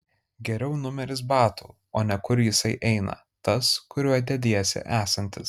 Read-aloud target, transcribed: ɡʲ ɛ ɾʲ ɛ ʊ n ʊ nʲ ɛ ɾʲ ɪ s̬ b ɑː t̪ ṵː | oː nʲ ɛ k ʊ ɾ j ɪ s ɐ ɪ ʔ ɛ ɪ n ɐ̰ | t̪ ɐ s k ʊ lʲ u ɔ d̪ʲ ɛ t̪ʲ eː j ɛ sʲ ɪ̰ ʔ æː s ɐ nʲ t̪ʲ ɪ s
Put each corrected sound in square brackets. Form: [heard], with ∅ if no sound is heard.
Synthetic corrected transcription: ɡʲ ɛ ɾʲ ɛ ʊ n ʊ [mʲ] ɛ ɾʲ ɪ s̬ b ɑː t̪ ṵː | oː nʲ ɛ k ʊ ɾ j ɪ s ɐ ɪ ʔ ɛ ɪ n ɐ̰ | t̪ ɐ s k ʊ [ɾʲ] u ɔ d̪ʲ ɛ [d̪ʲ] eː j ɛ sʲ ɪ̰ ʔ æː s ɐ nʲ t̪ʲ ɪ s

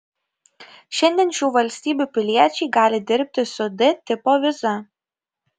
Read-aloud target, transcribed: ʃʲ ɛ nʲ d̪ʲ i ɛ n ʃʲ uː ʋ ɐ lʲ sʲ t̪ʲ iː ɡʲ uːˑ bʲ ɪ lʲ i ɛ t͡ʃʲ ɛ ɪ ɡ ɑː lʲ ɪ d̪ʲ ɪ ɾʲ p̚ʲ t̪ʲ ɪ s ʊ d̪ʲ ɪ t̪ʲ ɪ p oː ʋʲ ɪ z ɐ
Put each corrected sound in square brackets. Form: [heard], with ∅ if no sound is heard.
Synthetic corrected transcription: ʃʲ ɛ nʲ d̪ʲ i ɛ n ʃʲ uː ʋ ɐ lʲ sʲ t̪ʲ iː [bʲ] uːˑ [pʲ] ɪ lʲ i ɛ t͡ʃʲ ɛ ɪ ɡ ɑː lʲ ɪ d̪ʲ ɪ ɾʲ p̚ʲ t̪ʲ ɪ s ʊ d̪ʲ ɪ t̪ʲ ɪ p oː ʋʲ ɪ z ɐ

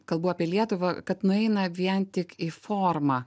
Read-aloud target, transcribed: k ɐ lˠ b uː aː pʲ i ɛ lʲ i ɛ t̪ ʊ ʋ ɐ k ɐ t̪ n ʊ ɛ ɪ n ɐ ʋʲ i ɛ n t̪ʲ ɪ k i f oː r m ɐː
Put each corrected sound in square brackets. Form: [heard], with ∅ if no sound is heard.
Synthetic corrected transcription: k ɐ lˠ b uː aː pʲ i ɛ lʲ i ɛ t̪ ʊ ʋ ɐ k ɐ t̪ n ʊ ɛ ɪ n ɐ ʋʲ i ɛ n t̪ʲ ɪ k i f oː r m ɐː

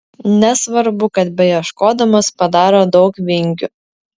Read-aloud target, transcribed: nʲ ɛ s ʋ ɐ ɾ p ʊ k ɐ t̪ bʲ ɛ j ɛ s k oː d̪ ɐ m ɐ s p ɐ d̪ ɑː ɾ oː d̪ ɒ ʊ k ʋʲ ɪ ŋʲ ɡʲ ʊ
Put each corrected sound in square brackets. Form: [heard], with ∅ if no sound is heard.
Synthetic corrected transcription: nʲ ɛ s ʋ ɐ ɾ [b] ʊ k ɐ t̪ bʲ ɛ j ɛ [ʃ] k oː d̪ ɐ m ɐ s p ɐ d̪ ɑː ɾ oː d̪ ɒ ʊ k ʋʲ ɪ ŋʲ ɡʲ ʊ

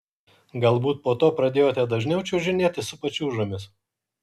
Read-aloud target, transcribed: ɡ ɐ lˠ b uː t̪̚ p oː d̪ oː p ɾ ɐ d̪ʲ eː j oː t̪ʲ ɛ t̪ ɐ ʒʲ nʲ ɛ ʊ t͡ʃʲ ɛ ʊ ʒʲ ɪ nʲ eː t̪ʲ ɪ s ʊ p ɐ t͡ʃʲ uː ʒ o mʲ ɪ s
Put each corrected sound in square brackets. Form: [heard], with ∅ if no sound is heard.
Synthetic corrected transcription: ɡ ɐ lˠ b uː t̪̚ p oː [t̪] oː p ɾ ɐ d̪ʲ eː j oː t̪ʲ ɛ [d̪] ɐ ʒʲ nʲ ɛ ʊ t͡ʃʲ ɛ ʊ ʒʲ ɪ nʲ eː t̪ʲ ɪ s ʊ p ɐ t͡ʃʲ uː ʒ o mʲ ɪ s

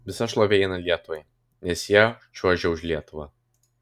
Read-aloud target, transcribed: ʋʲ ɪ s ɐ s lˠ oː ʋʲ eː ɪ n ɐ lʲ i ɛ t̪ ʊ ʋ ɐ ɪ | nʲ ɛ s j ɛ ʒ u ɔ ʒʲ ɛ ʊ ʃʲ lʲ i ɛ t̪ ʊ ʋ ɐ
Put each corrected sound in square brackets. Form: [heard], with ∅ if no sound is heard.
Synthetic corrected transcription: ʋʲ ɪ s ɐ [ʃ] lˠ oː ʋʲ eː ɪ n ɐ lʲ i ɛ t̪ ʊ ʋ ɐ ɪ | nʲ ɛ s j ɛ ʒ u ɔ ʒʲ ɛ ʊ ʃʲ lʲ i ɛ t̪ ʊ ʋ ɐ

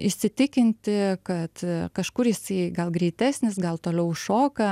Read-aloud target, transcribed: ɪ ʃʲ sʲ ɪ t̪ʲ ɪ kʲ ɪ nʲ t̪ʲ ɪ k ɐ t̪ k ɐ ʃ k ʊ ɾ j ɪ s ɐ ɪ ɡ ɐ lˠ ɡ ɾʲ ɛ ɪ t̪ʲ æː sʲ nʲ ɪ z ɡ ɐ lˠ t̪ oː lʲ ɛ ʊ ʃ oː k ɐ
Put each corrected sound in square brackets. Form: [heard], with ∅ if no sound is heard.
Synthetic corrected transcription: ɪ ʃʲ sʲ ɪ t̪ʲ ɪ kʲ ɪ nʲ t̪ʲ ɪ k ɐ t̪ k ɐ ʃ k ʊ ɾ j ɪ s ɐ ɪ ɡ ɐ lˠ ɡ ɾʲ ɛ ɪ t̪ʲ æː sʲ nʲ ɪ [s] ɡ ɐ lˠ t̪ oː lʲ ɛ ʊ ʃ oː k ɐ

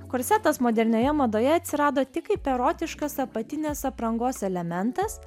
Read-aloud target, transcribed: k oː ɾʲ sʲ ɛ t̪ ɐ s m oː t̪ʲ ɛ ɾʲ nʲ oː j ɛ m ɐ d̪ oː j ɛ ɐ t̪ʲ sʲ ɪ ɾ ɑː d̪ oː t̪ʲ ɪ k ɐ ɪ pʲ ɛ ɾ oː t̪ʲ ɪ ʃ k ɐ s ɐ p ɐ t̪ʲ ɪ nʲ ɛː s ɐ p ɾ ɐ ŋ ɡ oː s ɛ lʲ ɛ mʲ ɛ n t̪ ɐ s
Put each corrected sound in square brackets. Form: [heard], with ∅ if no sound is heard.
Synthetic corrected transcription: k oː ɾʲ sʲ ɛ t̪ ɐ s m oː [d̪ʲ] ɛ ɾʲ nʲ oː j ɛ m ɐ d̪ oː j ɛ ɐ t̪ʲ sʲ ɪ ɾ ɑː d̪ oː t̪ʲ ɪ k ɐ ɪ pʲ ɛ ɾ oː t̪ʲ ɪ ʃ k ɐ s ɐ p ɐ t̪ʲ ɪ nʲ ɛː s ɐ p ɾ ɐ ŋ ɡ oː s ɛ lʲ ɛ mʲ ɛ n t̪ ɐ s

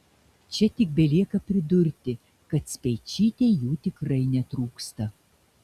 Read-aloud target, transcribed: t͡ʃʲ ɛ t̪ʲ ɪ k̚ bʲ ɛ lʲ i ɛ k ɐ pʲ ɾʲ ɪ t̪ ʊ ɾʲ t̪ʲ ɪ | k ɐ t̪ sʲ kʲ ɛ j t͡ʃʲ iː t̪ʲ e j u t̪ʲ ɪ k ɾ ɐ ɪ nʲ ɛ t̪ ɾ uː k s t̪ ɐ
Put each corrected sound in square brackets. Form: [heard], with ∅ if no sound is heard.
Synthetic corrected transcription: t͡ʃʲ ɛ t̪ʲ ɪ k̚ bʲ ɛ lʲ i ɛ k ɐ pʲ ɾʲ ɪ [d̪] ʊ ɾʲ t̪ʲ ɪ | k ɐ t̪ sʲ [pʲ] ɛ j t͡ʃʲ iː t̪ʲ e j [uː] t̪ʲ ɪ k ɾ ɐ ɪ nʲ ɛ t̪ ɾ uː k s t̪ ɐ

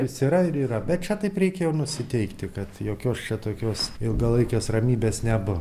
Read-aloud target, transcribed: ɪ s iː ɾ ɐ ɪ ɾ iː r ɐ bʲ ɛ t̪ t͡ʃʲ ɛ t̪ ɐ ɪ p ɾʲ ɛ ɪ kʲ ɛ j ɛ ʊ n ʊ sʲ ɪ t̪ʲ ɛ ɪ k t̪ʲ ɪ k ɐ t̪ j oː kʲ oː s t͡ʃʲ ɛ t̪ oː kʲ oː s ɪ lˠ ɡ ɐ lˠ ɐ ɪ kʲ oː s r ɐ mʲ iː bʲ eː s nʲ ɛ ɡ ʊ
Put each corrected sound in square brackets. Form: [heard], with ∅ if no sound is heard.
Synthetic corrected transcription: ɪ s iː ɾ ɐ ɪ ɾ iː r ɐ bʲ ɛ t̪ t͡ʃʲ ɛ t̪ ɐ ɪ p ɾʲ ɛ ɪ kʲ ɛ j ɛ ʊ n ʊ sʲ ɪ t̪ʲ ɛ ɪ k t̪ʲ ɪ k ɐ t̪ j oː kʲ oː s t͡ʃʲ ɛ t̪ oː kʲ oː s ɪ lˠ ɡ ɐ lˠ ɐ ɪ kʲ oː s r ɐ mʲ iː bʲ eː s nʲ ɛ [b] ʊ

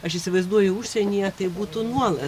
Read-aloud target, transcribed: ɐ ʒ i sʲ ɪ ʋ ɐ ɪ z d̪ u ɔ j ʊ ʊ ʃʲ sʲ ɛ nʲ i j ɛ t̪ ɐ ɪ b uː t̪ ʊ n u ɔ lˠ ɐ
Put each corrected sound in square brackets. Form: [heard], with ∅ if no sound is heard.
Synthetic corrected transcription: ɐ [ʃ] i sʲ ɪ ʋ ɐ ɪ z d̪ u ɔ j ʊ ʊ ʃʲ sʲ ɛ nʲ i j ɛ t̪ ɐ ɪ b uː t̪ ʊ n u ɔ lˠ ɐ

